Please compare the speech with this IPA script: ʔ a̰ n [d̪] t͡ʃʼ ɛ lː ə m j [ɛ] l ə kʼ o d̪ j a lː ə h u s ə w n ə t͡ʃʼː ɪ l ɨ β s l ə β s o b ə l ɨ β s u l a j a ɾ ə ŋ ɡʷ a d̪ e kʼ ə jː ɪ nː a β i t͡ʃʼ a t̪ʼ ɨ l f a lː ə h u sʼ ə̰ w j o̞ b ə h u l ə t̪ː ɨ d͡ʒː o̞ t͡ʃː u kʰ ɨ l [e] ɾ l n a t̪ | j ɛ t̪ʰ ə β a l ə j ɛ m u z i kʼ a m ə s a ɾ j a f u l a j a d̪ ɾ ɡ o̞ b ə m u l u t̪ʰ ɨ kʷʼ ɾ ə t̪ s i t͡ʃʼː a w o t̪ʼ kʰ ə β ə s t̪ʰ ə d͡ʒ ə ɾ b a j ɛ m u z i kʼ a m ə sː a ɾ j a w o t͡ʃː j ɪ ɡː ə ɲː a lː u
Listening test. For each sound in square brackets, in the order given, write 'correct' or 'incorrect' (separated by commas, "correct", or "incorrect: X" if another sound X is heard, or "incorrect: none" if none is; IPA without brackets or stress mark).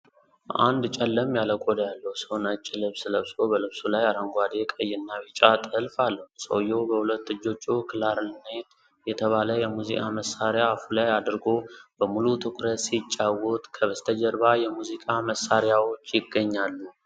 correct, incorrect: a, incorrect: a